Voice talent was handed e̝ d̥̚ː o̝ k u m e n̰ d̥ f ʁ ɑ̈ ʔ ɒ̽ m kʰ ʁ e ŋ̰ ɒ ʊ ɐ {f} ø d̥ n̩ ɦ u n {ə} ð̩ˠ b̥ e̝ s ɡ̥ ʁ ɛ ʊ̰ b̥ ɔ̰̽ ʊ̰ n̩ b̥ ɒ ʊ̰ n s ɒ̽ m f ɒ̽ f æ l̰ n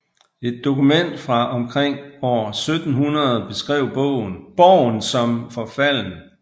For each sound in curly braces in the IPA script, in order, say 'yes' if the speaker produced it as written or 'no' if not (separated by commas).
no, no